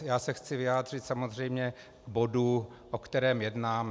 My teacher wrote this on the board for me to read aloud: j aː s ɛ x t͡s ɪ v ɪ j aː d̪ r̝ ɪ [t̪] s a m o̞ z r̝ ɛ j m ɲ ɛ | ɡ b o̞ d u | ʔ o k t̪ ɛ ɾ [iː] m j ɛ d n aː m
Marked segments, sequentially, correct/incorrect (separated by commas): correct, incorrect